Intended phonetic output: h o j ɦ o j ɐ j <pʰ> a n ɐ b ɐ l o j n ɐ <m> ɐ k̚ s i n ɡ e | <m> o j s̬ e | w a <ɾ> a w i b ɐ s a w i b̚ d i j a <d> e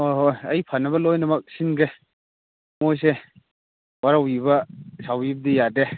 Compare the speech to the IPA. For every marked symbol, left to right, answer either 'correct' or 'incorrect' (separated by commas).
correct, correct, correct, correct, correct